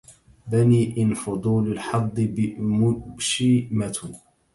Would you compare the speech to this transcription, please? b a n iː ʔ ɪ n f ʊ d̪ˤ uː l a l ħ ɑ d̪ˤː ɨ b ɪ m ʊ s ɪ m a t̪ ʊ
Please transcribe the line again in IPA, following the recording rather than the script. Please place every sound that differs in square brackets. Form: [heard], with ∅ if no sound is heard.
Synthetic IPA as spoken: b a n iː ʔ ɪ n f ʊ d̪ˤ uː l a l ħ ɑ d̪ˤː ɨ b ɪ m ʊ [ʃ] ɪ m a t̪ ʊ